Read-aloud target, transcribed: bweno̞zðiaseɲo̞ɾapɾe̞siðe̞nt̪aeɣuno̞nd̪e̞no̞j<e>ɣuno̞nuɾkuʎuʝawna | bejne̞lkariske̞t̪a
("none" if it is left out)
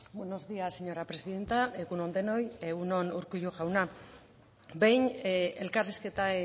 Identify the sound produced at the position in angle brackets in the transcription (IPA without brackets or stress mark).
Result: e